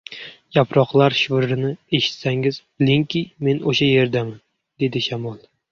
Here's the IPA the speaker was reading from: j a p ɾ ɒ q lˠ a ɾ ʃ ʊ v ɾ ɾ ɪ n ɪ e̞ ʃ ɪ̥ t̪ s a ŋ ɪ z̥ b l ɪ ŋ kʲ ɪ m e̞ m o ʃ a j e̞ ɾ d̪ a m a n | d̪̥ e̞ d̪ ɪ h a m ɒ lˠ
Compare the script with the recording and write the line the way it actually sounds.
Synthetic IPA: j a p ɾ ɒ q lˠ a ɾ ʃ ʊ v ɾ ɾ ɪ n ɪ e̞ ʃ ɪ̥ t̪ s a ŋ ɪ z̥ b l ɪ ŋ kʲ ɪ m e̞ n o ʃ a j e̞ ɾ d̪ a m a n | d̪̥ e̞ d̪ ɪ ʃ a m ɒ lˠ